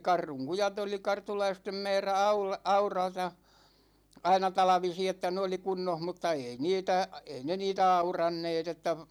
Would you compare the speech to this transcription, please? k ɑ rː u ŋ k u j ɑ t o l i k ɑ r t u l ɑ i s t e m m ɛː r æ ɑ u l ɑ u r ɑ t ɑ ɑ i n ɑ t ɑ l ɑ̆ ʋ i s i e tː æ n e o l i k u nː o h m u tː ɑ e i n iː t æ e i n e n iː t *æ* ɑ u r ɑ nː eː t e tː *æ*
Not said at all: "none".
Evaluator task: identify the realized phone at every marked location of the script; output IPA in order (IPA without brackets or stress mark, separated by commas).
æ, æ